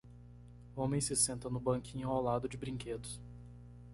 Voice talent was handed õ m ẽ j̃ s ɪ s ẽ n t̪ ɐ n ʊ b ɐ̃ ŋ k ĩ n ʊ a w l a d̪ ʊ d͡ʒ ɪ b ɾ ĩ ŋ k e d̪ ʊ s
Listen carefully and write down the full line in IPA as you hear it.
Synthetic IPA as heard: õ m ẽ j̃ s ɪ s ẽ n t̪ ɐ n ʊ b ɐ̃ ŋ k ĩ ɲ ʊ a w l a d̪ ʊ d͡ʒ ɪ b ɾ ĩ ŋ k e d̪ ʊ s